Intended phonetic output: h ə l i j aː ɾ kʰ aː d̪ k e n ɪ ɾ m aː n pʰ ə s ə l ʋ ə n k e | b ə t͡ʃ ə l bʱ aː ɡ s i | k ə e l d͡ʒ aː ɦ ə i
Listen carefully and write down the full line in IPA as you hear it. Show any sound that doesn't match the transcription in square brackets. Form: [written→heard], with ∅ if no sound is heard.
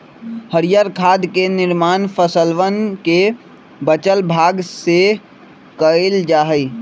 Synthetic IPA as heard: h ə [l→ɾ] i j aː ɾ kʰ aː d̪ k e n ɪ ɾ m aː n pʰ ə s ə l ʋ ə n k e | b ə t͡ʃ ə l bʱ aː ɡ s [i→e] | k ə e l d͡ʒ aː ɦ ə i